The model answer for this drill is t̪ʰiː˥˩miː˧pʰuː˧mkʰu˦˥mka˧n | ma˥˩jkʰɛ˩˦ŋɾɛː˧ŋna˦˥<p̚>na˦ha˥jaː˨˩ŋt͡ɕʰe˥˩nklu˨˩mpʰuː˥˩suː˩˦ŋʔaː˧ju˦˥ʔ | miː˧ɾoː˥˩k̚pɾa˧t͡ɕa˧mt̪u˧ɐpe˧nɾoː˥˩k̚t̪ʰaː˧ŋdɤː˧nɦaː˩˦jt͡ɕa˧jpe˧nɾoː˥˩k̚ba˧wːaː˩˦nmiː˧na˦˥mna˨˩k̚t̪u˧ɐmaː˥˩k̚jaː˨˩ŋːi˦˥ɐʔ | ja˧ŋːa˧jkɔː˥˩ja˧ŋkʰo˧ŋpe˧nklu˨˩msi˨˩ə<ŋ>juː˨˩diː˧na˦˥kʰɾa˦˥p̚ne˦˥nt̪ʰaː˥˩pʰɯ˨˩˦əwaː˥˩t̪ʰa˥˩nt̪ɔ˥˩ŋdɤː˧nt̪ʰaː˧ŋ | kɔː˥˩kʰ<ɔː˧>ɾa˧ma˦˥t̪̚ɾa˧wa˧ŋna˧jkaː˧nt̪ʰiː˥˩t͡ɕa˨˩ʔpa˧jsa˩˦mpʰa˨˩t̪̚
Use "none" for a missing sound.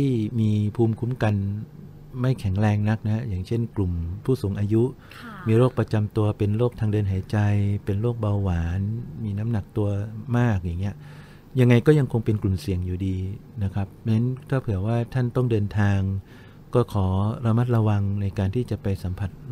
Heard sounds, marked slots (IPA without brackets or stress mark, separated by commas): k̚, ŋ, ɔː˩˦